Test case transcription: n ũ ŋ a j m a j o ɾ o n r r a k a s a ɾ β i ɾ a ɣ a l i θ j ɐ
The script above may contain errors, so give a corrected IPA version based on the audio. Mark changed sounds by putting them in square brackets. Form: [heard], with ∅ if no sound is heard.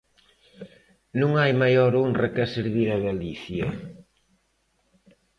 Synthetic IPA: n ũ ŋ a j m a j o ɾ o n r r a k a s [e] ɾ β i ɾ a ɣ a l i θ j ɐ